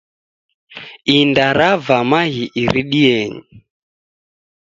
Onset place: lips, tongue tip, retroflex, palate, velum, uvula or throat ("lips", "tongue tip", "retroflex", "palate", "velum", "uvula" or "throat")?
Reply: tongue tip